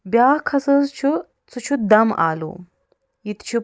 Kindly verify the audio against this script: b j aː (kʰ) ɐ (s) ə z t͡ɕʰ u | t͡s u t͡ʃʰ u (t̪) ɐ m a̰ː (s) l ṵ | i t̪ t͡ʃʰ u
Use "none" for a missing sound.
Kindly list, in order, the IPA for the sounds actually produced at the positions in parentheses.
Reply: kʰ, s, d̪, none

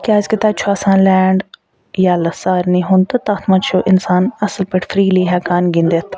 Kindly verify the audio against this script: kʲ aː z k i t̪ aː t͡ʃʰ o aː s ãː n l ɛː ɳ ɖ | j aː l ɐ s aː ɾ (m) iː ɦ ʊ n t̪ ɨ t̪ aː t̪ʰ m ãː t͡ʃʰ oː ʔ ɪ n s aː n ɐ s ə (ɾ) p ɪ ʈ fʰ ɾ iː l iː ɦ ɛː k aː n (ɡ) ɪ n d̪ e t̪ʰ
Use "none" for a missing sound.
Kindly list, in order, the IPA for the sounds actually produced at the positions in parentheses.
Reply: n, l, ɡ

